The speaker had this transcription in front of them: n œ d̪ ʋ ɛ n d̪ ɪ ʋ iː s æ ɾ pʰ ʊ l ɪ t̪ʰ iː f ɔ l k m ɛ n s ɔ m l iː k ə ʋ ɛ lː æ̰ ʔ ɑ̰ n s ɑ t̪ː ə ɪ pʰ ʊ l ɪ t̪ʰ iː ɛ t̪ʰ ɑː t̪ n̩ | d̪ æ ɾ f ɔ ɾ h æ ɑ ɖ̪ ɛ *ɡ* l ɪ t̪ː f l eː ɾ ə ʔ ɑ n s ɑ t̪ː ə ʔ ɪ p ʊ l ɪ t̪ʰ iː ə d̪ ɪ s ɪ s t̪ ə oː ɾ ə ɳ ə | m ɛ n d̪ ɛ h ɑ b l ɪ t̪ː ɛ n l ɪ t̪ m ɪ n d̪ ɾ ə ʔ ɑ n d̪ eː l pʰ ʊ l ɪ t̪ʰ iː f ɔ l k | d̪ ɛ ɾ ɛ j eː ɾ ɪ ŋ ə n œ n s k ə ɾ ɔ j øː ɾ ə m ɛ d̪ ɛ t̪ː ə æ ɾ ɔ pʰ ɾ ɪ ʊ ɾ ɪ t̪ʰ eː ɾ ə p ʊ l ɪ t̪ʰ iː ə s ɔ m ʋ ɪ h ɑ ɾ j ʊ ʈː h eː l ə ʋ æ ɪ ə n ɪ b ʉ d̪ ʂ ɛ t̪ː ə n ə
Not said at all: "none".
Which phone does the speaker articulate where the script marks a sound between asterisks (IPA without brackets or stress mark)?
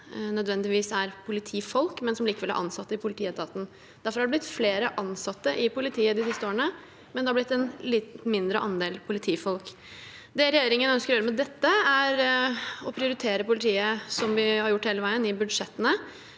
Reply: b